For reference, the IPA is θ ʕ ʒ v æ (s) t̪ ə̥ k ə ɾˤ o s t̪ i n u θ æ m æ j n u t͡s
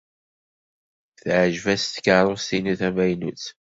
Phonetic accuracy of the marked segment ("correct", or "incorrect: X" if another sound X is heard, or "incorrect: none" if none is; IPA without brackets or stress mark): correct